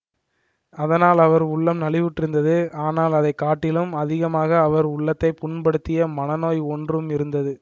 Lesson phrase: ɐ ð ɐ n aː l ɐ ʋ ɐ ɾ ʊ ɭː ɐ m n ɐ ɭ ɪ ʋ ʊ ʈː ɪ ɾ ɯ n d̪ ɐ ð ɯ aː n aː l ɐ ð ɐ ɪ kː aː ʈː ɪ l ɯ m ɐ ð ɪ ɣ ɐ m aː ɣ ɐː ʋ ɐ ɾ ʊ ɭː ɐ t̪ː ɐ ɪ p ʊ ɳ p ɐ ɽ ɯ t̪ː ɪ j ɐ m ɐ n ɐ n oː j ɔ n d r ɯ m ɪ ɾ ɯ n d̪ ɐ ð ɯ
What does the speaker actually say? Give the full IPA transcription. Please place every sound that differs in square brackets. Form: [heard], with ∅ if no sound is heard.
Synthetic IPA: ɐ ð ɐ n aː l ɐ ʋ ɐ ɾ ʊ ɭː ɐ m n ɐ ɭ ɪ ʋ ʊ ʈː ɪ ɾ ɯ n d̪ ɐ ð ɯ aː n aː l ɐ ð ɐ ɪ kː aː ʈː ɪ l ɯ m ɐ ð ɪ ɣ ɐ m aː ɣ ɐː ʋ ɐ ɾ ʊ ɭː ɐ t̪ː ɐ ɪ p ʊ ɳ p ɐ ɽ ɯ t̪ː ɪ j ɐ m ɐ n ɐ n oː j ɔ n d r ɯ m ɪ ɾ ɯ n d̪ ɐ ð ɯ